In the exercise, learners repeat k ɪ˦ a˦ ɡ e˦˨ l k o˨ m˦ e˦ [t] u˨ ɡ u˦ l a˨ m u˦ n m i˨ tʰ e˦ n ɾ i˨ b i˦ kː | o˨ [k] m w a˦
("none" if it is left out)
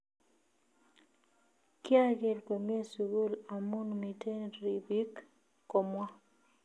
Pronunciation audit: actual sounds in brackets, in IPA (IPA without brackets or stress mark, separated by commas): s, none